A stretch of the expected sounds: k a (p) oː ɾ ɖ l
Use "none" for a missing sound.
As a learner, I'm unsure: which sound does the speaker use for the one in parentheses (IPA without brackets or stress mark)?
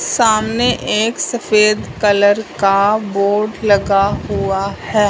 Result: b